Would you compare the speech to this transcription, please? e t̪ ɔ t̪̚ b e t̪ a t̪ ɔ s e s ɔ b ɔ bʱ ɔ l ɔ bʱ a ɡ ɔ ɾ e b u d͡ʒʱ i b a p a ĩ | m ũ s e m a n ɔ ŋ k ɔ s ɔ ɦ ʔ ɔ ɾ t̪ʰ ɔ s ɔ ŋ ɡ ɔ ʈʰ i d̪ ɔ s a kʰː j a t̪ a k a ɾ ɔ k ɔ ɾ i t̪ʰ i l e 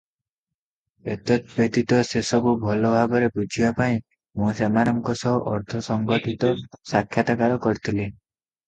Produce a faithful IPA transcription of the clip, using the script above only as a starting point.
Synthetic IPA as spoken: e t̪ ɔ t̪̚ b e t̪ i t̪ ɔ s e s ɔ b u bʱ ɔ l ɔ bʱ a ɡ ɔ ɾ e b u d͡ʒʱ i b a p a ĩ | m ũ s e m a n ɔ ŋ k ɔ s ɔ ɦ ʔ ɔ ɾ t̪ʰ ɔ s ɔ ŋ ɡ ɔ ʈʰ i t̪ ɔ s a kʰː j a t̪ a k a ɾ ɔ k ɔ ɾ i t̪ʰ i l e